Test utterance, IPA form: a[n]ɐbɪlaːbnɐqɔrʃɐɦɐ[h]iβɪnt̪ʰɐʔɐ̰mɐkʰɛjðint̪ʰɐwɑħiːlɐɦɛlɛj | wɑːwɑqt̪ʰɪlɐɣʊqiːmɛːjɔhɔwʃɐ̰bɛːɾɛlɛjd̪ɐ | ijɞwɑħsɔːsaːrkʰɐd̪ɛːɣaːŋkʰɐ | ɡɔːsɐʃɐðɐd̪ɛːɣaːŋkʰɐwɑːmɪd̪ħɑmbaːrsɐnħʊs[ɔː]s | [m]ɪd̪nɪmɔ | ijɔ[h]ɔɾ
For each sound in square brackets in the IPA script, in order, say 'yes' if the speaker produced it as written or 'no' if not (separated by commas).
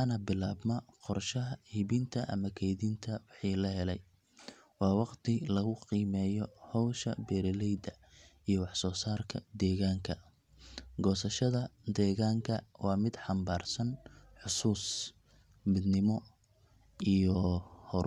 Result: yes, yes, no, yes, yes